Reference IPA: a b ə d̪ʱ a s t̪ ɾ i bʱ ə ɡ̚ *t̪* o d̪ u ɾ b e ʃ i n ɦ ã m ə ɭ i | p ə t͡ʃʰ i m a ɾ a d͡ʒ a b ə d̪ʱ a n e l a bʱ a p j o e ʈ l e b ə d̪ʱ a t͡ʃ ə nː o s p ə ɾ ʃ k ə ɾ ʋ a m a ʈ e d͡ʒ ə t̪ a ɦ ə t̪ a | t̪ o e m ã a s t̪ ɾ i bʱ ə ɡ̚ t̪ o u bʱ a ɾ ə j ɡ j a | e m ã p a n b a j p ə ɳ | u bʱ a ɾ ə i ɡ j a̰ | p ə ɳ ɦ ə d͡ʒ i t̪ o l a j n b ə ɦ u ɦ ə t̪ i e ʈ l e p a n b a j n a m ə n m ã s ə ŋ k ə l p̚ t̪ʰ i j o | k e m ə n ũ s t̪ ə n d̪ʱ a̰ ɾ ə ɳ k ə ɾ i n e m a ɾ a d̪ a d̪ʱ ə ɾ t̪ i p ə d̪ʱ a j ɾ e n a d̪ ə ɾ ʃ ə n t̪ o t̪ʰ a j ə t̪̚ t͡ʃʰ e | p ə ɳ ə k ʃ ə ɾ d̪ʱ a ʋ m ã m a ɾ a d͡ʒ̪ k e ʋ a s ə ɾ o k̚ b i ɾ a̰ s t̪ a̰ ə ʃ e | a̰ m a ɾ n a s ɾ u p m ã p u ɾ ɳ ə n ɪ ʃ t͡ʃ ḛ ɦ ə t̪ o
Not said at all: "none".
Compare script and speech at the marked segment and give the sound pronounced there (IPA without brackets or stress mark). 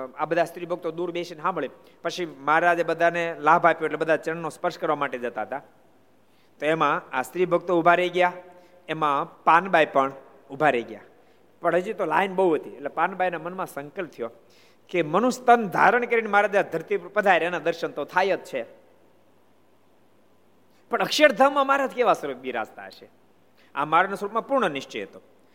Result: t̪